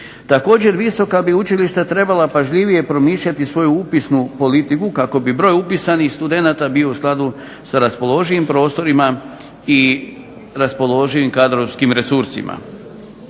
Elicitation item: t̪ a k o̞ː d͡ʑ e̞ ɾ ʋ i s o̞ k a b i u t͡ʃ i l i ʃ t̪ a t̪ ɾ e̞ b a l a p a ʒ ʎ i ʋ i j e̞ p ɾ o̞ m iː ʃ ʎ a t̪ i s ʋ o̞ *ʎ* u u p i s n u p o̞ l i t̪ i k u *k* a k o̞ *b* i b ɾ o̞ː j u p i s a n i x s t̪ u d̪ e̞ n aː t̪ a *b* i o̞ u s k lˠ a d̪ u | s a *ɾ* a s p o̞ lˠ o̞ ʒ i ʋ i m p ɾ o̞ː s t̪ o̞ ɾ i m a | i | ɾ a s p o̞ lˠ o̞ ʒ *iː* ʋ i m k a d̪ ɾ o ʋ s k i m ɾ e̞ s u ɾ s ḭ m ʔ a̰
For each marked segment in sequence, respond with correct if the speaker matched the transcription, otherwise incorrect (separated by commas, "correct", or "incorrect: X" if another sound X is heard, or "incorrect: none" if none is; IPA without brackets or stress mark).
incorrect: j, correct, correct, correct, correct, incorrect: i